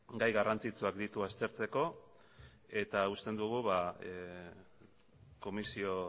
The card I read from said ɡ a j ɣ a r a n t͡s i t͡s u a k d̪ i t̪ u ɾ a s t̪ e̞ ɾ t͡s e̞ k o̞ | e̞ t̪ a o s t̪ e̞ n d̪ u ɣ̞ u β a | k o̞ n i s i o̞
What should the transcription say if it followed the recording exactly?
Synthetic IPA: ɡ a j ɣ a r a n t͡s i t͡s u a k d̪ i t̪ u a s t̪ e̞ ɾ t͡s e̞ k o̞ | e̞ t̪ a u s t̪ e̞ n d̪ u ɣ̞ u β a | k o̞ m i s i o̞